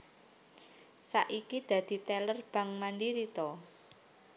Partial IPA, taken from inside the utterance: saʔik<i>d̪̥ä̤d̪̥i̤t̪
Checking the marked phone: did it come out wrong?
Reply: no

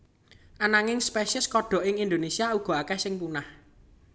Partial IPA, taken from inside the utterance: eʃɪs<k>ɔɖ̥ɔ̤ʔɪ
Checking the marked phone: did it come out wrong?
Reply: no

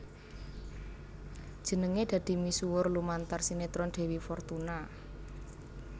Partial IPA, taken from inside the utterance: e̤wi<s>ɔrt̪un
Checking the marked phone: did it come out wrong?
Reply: yes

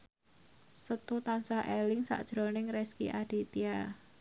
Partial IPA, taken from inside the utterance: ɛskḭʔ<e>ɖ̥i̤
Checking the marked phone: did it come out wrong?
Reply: yes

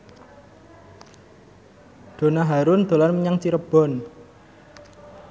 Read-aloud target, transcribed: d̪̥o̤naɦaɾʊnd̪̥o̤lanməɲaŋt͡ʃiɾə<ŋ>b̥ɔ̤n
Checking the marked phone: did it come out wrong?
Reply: yes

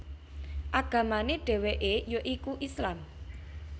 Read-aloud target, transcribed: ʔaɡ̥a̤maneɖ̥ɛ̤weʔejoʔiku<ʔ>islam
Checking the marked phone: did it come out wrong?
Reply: no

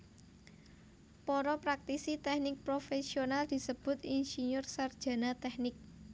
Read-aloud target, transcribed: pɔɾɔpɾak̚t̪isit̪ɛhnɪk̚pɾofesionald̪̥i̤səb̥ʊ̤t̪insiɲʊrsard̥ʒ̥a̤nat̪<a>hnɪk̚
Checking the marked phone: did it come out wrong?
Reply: yes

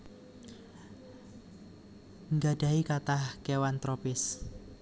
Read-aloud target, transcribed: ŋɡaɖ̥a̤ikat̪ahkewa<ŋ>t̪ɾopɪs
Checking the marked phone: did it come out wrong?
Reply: yes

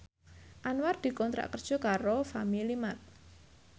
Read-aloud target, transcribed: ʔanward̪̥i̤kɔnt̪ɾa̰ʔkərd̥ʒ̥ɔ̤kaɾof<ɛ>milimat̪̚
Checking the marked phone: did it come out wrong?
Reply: yes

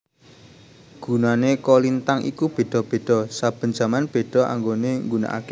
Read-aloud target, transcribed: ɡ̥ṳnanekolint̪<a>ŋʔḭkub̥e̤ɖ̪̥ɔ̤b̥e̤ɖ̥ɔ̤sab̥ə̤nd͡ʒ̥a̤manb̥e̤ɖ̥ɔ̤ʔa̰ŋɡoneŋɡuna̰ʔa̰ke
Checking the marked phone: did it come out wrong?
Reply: no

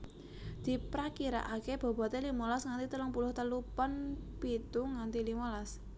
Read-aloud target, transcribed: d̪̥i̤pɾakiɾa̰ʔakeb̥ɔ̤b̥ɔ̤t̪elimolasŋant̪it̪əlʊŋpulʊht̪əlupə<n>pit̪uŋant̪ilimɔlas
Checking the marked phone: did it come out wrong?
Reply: no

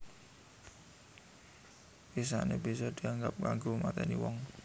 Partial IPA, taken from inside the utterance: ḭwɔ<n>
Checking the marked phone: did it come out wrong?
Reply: yes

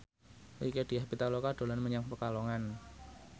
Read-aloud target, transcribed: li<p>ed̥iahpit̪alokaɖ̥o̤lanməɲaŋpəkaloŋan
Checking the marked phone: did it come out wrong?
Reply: yes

